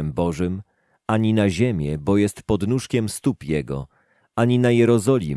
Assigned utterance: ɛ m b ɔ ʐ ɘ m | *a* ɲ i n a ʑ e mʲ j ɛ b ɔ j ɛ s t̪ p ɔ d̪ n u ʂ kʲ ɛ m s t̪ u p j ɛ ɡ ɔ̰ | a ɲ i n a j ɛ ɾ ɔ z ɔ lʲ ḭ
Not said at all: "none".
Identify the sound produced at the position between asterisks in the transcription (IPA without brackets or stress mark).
a